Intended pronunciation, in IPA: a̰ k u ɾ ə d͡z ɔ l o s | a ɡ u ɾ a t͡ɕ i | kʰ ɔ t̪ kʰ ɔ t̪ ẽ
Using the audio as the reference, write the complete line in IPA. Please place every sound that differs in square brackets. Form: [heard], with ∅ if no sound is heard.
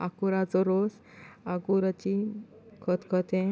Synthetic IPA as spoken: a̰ k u ɾ [a] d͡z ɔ [ɾ] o s | a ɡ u ɾ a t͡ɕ i | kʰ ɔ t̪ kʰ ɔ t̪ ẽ